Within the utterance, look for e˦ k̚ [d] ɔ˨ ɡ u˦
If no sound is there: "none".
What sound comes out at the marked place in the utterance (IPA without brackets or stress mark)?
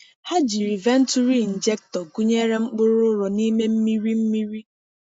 t